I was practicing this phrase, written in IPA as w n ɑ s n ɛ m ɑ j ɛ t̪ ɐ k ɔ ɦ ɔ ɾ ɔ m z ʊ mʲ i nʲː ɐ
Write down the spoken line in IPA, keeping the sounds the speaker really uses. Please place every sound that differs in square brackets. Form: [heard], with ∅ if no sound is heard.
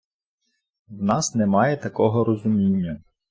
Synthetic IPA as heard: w n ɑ s n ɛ m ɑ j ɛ t̪ ɐ k ɔ ɦ ɔ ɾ ɔ [∅] z ʊ mʲ i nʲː ɐ